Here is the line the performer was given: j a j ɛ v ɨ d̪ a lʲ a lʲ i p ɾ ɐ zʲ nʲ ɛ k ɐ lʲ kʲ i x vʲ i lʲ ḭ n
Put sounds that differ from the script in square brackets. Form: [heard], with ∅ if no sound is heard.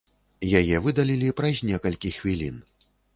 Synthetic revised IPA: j a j ɛ v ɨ d̪ a lʲ [i] lʲ i p ɾ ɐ zʲ nʲ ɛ k ɐ lʲ kʲ i x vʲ i lʲ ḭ n

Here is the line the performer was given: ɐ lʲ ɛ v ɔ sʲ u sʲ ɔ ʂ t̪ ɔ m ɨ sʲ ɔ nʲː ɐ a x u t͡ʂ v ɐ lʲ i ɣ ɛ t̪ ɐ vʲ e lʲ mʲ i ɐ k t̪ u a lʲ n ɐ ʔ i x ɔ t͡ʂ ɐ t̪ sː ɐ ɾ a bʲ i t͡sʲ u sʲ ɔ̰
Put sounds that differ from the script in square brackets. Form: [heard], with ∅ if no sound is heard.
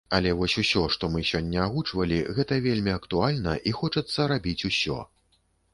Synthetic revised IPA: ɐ lʲ ɛ v ɔ sʲ u sʲ ɔ ʂ t̪ ɔ m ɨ sʲ ɔ nʲː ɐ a [ɣ] u t͡ʂ v ɐ lʲ i ɣ ɛ t̪ ɐ vʲ e lʲ mʲ i ɐ k t̪ u a lʲ n ɐ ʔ i x ɔ t͡ʂ ɐ t̪ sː ɐ ɾ a bʲ i t͡sʲ u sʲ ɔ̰

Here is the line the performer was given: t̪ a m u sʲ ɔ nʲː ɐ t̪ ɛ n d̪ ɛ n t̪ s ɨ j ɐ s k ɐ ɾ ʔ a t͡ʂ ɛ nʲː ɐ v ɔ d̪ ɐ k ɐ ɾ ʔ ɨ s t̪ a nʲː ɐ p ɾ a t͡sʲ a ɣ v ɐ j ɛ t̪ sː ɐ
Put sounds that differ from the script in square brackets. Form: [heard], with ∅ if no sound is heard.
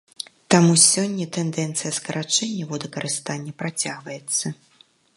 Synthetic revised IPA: t̪ a m u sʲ ɔ nʲː ɐ t̪ ɛ n d̪ ɛ n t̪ s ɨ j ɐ s k ɐ ɾ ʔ a t͡ʂ ɛ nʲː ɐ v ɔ d̪ ɐ k ɐ ɾ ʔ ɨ s t̪ a nʲː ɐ p ɾ a t͡sʲ a ɣ v ɐ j ɛ t̪ sː ɐ

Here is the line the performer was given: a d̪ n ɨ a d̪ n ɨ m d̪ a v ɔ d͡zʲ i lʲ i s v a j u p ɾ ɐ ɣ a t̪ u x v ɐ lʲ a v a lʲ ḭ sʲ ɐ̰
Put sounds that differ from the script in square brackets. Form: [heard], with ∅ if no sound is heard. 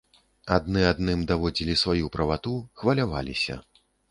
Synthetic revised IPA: a d̪ n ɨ a d̪ n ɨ m d̪ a v ɔ d͡zʲ i lʲ i s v a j u p ɾ ɐ [v] a t̪ u x v ɐ lʲ a v a lʲ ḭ sʲ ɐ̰

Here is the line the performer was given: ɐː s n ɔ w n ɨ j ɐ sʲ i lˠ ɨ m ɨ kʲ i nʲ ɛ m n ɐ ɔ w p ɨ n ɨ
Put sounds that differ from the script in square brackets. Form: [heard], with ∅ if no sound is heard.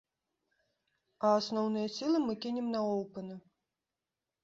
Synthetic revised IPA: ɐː s n ɔ w n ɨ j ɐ sʲ i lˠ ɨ m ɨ kʲ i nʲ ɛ m n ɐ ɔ w p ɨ n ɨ

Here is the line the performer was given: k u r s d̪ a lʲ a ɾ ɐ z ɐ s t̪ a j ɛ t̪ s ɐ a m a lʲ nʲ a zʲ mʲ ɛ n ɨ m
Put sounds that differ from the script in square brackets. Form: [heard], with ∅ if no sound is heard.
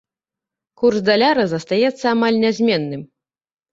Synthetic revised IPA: k u r s d̪ a lʲ a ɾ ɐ z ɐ s t̪ a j ɛ t̪ [sː] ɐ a m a lʲ nʲ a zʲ mʲ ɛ [nː] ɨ m

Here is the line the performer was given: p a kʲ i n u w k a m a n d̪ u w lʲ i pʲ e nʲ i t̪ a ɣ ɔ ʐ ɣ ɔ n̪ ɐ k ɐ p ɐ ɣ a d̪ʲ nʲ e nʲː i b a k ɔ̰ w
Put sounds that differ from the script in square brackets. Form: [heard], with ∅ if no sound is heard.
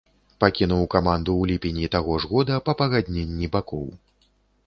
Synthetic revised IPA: p a kʲ i n u w k a m a n d̪ u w lʲ i pʲ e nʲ i t̪ a ɣ ɔ ʐ ɣ ɔ [d̪] ɐ [p] ɐ p ɐ ɣ a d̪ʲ nʲ e nʲː i b a k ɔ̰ w

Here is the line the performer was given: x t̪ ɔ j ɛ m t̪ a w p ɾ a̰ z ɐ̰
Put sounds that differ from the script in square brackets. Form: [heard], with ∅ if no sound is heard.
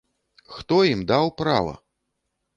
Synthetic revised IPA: x t̪ ɔ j [i] m [d̪] a w p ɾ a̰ [v] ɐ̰

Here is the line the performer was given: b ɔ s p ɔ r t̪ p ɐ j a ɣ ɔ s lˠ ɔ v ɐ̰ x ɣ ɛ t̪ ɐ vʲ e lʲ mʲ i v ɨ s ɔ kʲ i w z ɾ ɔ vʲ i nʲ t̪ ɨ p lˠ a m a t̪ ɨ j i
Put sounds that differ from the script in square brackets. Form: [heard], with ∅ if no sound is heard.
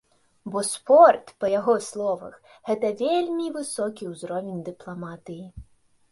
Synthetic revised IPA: b ɔ s p ɔ r t̪ p ɐ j a ɣ ɔ s lˠ ɔ v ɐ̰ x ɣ ɛ t̪ ɐ vʲ e lʲ mʲ i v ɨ s ɔ kʲ i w z ɾ ɔ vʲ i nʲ [d̪] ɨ p lˠ a m a t̪ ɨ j i

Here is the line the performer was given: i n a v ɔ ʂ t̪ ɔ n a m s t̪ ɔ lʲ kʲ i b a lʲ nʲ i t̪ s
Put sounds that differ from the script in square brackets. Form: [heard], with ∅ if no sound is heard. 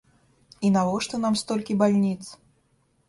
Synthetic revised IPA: i n a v ɔ ʂ t̪ ɔ n a m s t̪ ɔ lʲ kʲ i b a lʲ nʲ i t̪ s

